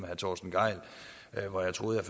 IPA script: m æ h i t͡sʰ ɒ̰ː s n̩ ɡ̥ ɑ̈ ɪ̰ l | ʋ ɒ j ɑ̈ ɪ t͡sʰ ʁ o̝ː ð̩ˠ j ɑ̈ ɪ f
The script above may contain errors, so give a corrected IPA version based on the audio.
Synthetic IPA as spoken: m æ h æ t͡sʰ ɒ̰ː s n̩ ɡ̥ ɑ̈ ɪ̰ l | ʋ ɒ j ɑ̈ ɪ t͡sʰ ʁ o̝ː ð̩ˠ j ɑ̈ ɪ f